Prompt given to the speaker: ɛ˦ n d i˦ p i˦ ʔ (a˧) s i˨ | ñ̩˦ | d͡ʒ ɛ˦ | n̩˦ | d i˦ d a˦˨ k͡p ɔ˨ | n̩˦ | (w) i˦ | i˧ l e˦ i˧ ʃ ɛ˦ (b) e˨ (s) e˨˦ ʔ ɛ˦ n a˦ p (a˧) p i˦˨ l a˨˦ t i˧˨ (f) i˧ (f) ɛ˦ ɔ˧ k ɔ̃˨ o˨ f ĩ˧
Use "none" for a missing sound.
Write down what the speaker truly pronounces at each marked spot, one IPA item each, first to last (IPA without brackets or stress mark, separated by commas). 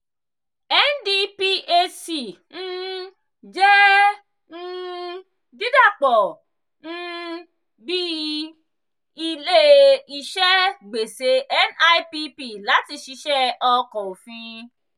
e˧, b, ɡ͡b, s, i˧, ʃ, ʃ